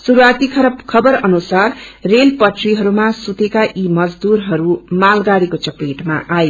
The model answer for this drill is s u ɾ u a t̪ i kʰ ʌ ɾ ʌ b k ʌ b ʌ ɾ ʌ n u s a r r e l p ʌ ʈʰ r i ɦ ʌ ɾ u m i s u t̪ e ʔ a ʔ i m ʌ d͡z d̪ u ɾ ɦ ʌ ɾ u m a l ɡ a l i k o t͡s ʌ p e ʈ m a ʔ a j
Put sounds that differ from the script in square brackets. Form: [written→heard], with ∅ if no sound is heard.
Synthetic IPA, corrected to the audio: s u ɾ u a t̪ i kʰ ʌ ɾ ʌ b [k→kʰ] ʌ b ʌ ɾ ʌ n u s a r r e l p ʌ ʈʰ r i ɦ ʌ ɾ u m [i→a] s u t̪ e [ʔ→k] a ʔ i m ʌ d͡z d̪ u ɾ ɦ ʌ ɾ u m a l ɡ a [l→ɽ] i k o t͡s ʌ p e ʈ m a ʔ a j